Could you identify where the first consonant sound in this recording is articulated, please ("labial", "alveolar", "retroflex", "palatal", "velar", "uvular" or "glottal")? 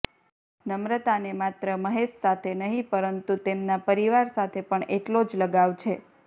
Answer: alveolar